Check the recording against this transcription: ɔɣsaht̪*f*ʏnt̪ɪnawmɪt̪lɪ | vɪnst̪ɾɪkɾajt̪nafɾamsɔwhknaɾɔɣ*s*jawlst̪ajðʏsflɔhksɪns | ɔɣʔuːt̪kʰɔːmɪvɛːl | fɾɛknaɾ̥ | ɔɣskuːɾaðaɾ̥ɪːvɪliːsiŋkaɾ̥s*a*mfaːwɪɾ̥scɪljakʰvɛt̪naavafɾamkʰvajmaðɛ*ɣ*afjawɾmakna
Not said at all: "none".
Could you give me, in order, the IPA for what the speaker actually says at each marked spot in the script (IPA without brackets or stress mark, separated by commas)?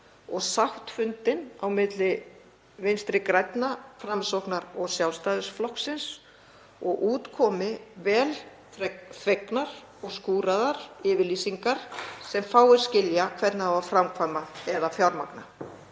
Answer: f, s, ɛ, ð